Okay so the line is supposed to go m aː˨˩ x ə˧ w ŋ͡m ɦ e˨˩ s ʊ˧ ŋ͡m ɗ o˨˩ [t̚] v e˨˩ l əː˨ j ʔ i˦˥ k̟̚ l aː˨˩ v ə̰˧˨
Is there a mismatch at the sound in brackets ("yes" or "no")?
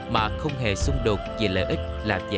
no